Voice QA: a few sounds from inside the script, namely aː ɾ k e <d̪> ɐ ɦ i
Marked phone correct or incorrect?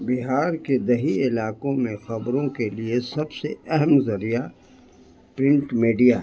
correct